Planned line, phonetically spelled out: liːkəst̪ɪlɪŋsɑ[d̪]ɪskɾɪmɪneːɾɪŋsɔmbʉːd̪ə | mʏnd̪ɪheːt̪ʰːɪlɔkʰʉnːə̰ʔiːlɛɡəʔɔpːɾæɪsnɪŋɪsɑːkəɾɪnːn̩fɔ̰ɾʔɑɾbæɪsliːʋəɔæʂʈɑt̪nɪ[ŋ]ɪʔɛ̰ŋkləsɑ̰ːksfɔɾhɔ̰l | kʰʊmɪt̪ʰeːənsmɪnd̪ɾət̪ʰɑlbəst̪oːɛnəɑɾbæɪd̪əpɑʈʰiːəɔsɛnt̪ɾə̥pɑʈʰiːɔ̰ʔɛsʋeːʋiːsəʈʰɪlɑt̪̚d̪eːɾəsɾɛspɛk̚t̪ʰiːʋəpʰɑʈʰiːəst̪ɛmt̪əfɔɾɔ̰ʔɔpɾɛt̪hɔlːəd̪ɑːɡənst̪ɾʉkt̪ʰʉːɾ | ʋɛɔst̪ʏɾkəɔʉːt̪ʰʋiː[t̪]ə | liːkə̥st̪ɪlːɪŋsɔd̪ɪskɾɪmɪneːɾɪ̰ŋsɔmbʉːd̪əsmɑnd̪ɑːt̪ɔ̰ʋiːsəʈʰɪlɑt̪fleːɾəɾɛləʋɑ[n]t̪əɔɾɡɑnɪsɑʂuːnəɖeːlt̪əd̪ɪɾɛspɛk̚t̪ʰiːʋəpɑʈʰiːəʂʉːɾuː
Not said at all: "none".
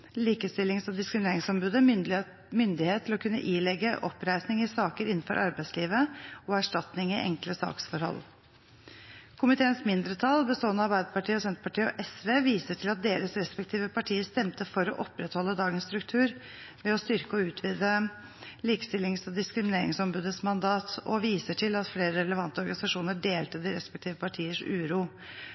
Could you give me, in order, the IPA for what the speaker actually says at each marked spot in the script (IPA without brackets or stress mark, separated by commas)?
d̪, ŋ, d̪, n